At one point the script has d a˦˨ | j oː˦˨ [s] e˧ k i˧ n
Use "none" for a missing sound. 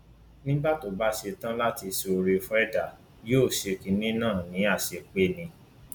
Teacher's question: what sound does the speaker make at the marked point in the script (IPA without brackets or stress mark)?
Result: ʃ